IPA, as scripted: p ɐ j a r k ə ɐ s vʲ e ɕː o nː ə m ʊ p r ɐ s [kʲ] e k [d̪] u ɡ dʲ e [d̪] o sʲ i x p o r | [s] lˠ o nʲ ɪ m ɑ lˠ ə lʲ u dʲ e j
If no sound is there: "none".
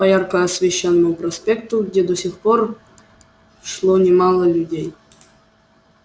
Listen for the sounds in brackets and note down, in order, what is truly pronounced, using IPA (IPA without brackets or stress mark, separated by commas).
pʲ, t̪, d̪, ʂ